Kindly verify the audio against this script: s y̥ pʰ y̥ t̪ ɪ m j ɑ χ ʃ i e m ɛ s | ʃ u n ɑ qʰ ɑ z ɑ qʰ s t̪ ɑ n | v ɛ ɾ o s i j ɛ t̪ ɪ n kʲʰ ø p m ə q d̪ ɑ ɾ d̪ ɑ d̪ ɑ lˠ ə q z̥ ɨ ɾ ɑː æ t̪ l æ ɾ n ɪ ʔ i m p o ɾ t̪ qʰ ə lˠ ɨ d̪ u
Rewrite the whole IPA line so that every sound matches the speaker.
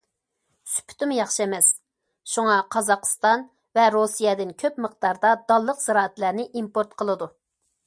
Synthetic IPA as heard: s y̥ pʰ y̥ t̪ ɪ m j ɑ χ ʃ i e m ɛ s | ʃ u ŋ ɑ qʰ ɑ z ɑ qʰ s t̪ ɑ n | v ɛ ɾ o s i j ɛ d̪ ɪ n kʲʰ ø p m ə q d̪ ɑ ɾ d̪ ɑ d̪ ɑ lˠː ə q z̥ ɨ ɾ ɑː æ t̪ l æ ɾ n ɪ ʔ i m p o ɾ t̪ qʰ ə lˠ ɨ d̪ u